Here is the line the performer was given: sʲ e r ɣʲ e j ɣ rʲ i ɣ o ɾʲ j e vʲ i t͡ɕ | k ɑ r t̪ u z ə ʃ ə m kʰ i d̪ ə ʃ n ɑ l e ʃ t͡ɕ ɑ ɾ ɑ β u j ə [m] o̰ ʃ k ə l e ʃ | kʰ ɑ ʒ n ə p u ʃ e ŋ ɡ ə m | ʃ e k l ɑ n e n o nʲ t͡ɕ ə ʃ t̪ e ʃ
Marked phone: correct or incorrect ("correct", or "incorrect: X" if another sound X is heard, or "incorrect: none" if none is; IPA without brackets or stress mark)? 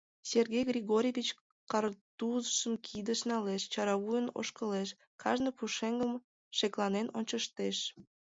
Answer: incorrect: n